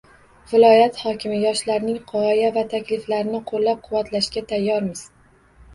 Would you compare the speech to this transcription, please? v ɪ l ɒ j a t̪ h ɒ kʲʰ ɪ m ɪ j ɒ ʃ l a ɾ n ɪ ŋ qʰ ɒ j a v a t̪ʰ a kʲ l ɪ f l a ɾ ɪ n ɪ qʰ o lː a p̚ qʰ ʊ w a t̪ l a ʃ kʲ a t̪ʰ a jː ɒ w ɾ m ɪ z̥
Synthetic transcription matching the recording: v ɪ l ɒ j a t̪ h ɒ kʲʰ ɪ m ɪ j ɒ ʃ l a ɾ n ɪ ŋ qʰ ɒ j a v a t̪ʰ a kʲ l ɪ f l a ɾ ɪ n ɪ qʰ o lː a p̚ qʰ ʊ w a t̪ l a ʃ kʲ a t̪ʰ a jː ɒ ɾ m ɪ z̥